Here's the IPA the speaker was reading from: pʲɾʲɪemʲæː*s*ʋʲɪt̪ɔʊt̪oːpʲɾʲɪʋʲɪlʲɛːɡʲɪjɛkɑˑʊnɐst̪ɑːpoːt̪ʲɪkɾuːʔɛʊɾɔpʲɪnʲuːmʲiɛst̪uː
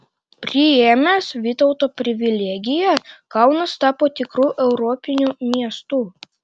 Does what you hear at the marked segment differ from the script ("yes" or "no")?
no